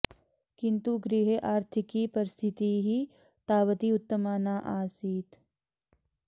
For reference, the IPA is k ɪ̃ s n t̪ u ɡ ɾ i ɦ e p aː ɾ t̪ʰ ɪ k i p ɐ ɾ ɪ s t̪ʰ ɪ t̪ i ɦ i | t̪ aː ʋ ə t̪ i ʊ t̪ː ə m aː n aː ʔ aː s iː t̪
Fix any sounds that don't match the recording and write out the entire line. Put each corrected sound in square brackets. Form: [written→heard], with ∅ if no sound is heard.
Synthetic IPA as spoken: k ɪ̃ [s→∅] n t̪ u ɡ ɾ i ɦ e [p→ʔ] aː ɾ t̪ʰ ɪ k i p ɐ ɾ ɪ s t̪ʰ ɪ t̪ i ɦ i | t̪ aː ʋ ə t̪ i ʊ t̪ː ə m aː n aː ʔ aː s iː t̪